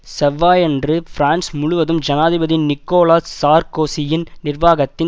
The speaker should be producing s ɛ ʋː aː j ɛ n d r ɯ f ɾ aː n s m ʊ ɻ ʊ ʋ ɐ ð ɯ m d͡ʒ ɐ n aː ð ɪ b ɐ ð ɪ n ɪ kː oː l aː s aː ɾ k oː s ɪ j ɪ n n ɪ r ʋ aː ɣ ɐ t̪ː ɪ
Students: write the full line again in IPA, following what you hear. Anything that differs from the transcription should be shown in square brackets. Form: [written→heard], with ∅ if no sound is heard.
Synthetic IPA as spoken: s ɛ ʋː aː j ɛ n d r ɯ f ɾ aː n s m ʊ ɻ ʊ ʋ ɐ ð ɯ m d͡ʒ ɐ n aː ð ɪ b ɐ ð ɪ n ɪ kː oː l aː s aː ɾ k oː s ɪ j ɪ n n ɪ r ʋ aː ɣ ɐ t̪ː ɪ